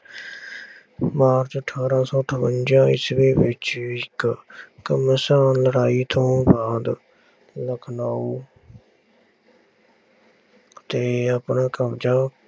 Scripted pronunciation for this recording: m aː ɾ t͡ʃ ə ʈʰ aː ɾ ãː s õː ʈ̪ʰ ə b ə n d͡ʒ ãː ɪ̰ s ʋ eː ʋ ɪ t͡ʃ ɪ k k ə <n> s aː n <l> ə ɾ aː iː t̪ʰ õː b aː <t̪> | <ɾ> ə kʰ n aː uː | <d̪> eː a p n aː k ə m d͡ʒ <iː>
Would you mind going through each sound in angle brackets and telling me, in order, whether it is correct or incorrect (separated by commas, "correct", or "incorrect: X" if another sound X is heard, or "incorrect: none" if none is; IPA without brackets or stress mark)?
incorrect: m, correct, incorrect: d̪, incorrect: l, incorrect: t̪, incorrect: aː